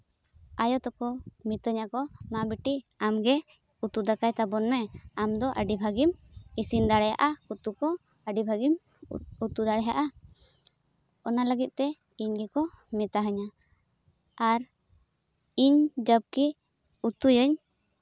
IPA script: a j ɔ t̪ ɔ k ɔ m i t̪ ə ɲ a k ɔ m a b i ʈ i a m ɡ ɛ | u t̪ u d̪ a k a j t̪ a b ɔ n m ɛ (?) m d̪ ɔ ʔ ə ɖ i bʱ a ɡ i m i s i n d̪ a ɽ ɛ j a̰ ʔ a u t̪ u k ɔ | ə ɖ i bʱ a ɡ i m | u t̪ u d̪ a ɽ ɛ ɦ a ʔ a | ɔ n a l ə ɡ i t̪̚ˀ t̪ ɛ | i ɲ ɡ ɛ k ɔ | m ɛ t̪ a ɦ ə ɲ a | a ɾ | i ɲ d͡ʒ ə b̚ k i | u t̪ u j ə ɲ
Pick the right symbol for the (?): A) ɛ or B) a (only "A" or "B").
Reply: B